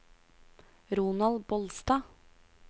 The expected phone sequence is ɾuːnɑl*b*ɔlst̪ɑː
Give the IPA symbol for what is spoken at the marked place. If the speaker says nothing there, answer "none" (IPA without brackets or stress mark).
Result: b